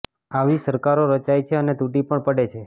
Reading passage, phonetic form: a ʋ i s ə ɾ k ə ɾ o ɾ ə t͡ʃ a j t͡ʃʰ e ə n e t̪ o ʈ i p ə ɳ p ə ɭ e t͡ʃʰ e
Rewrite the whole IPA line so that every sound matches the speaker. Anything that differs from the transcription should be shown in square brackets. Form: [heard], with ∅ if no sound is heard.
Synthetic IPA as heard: a ʋ i s ə ɾ k [a] ɾ o ɾ ə t͡ʃ a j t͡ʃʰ e ə n e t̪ [u] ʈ i p ə ɳ p ə [ɽ] e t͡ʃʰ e